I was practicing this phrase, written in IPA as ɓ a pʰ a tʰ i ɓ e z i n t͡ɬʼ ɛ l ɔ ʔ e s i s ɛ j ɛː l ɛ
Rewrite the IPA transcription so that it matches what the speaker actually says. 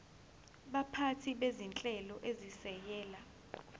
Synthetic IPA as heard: ɓ a pʰ a tʰ i ɓ e z i n t͡ɬʼ ɛ l ɔ ʔ e z i s ɛ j ɛː l a